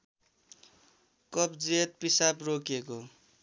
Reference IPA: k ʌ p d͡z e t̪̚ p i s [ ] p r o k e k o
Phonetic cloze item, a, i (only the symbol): a